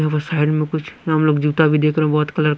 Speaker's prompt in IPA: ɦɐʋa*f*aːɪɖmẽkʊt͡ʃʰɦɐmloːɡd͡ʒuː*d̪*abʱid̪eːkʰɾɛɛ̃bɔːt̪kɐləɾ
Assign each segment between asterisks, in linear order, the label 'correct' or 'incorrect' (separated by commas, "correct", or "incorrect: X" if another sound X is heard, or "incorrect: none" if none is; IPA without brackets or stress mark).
incorrect: s, incorrect: t̪